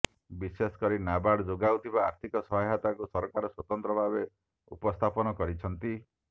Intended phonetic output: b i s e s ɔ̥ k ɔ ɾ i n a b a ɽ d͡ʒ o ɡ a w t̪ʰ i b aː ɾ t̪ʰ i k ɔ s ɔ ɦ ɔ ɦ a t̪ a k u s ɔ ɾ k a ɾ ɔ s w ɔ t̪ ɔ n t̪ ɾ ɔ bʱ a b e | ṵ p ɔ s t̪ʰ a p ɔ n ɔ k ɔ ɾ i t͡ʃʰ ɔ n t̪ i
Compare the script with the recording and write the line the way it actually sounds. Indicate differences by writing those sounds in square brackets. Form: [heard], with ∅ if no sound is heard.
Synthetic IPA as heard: b i s e s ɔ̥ k ɔ ɾ i n a b a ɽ d͡ʒ o ɡ a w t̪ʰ i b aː ɾ t̪ʰ i k ɔ s ɔ ɦ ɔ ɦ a t̪ a k u s ɔ ɾ k a ɾ ɔ s w ɔ t̪ ɔ n t̪ ɾ ɔ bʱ a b e | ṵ p ɔ s t̪ʰ a p ɔ n ɔ k ɔ ɾ i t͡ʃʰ ɔ n t̪ i